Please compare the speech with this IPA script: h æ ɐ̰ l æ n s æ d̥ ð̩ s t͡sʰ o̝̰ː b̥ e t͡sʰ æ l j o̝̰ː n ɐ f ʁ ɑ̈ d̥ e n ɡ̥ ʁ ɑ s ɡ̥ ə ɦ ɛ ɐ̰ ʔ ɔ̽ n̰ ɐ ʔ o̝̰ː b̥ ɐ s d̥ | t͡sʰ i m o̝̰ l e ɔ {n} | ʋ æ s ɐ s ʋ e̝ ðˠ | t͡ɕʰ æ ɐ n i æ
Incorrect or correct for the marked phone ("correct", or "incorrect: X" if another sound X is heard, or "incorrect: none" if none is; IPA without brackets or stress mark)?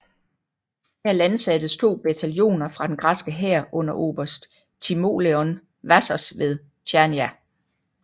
correct